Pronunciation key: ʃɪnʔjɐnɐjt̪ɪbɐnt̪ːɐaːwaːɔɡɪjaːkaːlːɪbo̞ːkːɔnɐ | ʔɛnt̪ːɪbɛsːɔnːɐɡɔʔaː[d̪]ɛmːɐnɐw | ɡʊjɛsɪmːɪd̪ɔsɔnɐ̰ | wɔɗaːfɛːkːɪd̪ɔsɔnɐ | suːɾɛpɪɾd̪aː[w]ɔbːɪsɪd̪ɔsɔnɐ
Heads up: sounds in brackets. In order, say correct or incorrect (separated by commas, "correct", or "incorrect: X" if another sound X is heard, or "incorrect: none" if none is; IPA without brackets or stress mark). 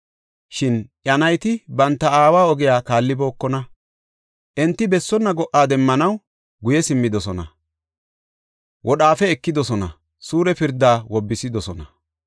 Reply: correct, correct